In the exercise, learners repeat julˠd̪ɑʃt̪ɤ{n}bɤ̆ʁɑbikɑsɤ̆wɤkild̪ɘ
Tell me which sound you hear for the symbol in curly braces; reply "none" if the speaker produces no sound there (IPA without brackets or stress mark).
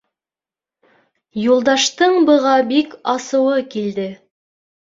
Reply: ɴ